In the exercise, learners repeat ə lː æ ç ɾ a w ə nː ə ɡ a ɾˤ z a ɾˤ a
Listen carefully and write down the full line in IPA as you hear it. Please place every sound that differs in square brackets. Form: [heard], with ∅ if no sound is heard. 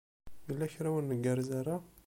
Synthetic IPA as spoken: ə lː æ ç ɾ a w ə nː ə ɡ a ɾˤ z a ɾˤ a